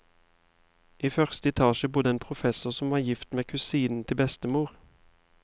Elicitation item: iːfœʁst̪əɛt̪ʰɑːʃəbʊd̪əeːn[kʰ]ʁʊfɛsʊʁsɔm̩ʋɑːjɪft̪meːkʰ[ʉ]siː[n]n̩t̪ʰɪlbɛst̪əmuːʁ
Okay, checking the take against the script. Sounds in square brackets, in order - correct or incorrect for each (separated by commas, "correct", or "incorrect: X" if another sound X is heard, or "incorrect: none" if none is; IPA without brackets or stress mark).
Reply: incorrect: pʰ, correct, correct